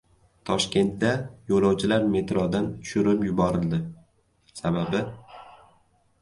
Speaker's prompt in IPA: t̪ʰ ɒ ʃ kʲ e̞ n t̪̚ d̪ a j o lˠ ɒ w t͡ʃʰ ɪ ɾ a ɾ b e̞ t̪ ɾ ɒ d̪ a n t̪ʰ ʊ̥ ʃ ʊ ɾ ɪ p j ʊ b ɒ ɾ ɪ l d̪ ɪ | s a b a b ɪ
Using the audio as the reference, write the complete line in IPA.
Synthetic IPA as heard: t̪ʰ ɒ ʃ kʲ e̞ n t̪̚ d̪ a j o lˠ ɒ w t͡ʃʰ ɪ l a ɾ m e̞ t̪ ɾ ɒ d̪ a n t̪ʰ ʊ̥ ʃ ʊ ɾ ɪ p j ʊ b ɒ ɾ ɪ l d̪ ɪ | s a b a b ɪ

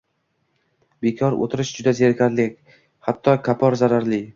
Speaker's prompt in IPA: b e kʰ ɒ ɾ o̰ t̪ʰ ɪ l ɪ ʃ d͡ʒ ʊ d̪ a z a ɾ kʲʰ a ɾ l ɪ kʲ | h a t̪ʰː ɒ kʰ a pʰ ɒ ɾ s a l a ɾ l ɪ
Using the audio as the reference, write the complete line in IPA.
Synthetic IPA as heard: b e kʰ ɒ ɾ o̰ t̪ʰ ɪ ɾ ɪ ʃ d͡ʒ ʊ d̪ a z e ɾ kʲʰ a ɾ l ɪ kʲ | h a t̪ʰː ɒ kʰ a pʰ ɒ ɾ z a ɾ a ɾ l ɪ

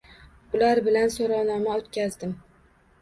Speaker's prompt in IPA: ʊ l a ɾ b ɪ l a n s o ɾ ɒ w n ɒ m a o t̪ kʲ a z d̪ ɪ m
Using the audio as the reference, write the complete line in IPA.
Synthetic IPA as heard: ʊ l a ɾ b ɪ l a n s o ɾ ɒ w n ɒ m a o t̪ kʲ a z d̪ ɪ m

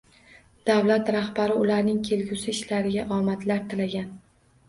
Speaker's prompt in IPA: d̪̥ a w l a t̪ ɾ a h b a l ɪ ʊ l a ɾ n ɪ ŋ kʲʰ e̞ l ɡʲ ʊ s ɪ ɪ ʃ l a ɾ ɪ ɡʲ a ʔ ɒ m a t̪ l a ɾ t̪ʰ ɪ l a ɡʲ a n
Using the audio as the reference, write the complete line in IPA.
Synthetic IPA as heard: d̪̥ a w l a t̪ ɾ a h b a ɾ ɪ ʊ l a ɾ n ɪ ŋ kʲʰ e̞ l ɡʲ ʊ s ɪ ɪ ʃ l a ɾ ɪ ɡʲ a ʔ ɒ m a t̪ l a ɾ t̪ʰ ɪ l a ɡʲ a n

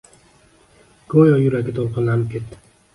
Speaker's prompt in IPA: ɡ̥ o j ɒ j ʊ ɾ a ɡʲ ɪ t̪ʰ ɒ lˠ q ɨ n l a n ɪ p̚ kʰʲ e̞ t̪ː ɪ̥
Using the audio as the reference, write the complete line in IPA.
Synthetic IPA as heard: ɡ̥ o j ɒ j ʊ ɾ a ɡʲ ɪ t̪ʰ o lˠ q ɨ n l a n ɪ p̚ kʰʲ e̞ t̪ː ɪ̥

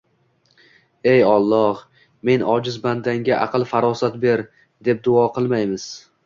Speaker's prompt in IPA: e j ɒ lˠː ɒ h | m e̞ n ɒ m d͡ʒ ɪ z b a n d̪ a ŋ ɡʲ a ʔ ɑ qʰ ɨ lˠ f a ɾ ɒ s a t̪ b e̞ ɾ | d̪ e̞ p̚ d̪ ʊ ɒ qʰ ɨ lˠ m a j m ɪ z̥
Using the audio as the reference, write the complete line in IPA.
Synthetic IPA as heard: e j ɒ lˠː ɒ h | m e̞ n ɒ d͡ʒ ɪ z b a n d̪ a ŋ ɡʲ a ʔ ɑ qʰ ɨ lˠ f a ɾ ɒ s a t̪ b e̞ ɾ | d̪ e̞ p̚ d̪ ʊ ɒ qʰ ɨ lˠ m a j m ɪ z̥

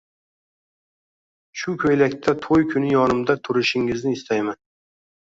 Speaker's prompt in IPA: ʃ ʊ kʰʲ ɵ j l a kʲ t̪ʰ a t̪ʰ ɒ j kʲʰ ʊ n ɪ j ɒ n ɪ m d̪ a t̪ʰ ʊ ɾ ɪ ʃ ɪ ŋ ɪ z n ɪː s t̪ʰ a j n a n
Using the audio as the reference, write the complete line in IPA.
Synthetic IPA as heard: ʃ ʊ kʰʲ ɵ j l a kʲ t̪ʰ a t̪ʰ o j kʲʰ ʊ n ɪ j ɒ n ɪ m d̪ a t̪ʰ ʊ ɾ ɪ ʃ ɪ ŋ ɪ z n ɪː s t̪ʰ a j m a n

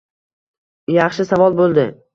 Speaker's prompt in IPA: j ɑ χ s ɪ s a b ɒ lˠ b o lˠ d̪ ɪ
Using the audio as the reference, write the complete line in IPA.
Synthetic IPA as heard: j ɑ χ ʃ ɪ s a v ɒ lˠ b o lˠ d̪ ɪ

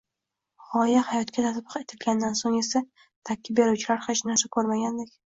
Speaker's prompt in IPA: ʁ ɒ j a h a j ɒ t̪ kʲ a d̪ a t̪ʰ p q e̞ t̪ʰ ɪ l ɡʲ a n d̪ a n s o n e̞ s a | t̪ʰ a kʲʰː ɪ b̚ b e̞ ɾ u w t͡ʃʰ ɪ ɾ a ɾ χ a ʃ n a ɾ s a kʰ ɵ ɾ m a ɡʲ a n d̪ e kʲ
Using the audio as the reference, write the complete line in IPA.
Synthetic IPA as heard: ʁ ɒ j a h a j ɒ t̪ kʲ a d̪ a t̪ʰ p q e̞ t̪ʰ ɪ l ɡʲ a n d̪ a n s o ŋ e̞ s a | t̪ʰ a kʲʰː ɪ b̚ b e̞ ɾ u w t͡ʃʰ ɪ l a ɾ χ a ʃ n a ɾ s a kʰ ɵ ɾ m a ɡʲ a n d̪ e kʲ

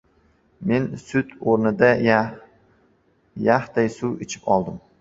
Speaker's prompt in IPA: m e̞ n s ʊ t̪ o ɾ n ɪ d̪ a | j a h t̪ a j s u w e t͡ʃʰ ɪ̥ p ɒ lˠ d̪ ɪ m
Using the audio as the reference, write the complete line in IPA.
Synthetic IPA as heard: m e̞ n s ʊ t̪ o ɾ n ɪ d̪ a | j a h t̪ a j s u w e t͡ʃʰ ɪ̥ p ɒ lˠ d̪ ɪ m

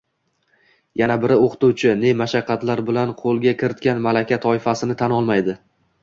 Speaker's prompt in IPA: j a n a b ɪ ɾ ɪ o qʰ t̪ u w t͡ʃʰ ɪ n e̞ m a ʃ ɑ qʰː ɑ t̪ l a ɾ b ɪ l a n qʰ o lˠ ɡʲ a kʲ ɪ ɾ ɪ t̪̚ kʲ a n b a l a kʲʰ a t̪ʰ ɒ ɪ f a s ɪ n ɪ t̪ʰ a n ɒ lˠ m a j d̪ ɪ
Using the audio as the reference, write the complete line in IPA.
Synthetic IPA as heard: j a n a b ɪ ɾ ɪ o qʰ t̪ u w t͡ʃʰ ɪ n e̞ m a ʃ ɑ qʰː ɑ t̪ l a ɾ b ɪ l a n qʰ o lˠ ɡʲ a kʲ ɪ ɾ ɪ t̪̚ kʲ a n m a l a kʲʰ a t̪ʰ ɒ ɪ f a s ɪ n ɪ t̪ʰ a n ɒ lˠ m a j d̪ ɪ

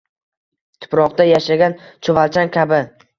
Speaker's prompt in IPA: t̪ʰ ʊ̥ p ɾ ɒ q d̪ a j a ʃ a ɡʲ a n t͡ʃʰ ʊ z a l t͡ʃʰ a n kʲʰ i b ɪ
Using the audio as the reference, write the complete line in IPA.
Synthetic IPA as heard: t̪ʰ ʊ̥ p ɾ ɒ q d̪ a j a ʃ a ɡʲ a n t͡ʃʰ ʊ v a l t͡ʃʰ a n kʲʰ a b ɪ

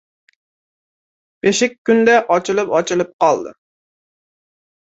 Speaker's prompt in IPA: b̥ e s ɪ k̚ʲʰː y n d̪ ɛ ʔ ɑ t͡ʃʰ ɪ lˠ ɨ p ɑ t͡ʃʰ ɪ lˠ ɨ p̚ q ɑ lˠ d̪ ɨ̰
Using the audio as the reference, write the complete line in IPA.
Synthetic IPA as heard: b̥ e ʃ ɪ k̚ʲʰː y n d̪ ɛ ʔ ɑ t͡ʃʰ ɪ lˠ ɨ p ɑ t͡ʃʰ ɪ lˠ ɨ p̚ q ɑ lˠ d̪ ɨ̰

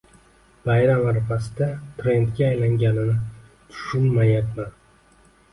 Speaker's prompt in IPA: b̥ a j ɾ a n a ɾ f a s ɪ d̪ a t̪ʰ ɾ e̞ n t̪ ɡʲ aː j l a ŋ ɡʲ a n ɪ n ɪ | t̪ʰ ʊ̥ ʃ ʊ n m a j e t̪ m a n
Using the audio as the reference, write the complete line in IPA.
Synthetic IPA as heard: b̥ a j ɾ a m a ɾ f a s ɪ d̪ a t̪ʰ ɾ e̞ n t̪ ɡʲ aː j l a ŋ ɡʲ a n ɪ n ɪ | t̪ʰ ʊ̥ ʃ ʊ n m a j a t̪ m a n

